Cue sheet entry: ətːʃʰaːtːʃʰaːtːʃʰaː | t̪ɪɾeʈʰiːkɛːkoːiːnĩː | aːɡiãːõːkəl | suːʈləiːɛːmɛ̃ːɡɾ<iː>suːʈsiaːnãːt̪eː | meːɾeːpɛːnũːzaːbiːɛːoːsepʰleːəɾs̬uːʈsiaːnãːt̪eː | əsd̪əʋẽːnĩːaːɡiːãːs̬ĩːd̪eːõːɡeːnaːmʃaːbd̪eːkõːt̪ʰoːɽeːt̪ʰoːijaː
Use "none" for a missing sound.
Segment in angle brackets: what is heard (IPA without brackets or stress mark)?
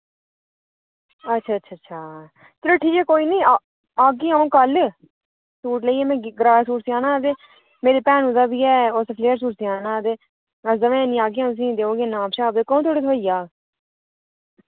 aː